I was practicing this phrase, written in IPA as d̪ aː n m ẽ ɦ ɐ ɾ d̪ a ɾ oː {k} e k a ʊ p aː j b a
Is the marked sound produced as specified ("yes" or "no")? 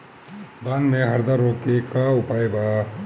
yes